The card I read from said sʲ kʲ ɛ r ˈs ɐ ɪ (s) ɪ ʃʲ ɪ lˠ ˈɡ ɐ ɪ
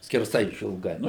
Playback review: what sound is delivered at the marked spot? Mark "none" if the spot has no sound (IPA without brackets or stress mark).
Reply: none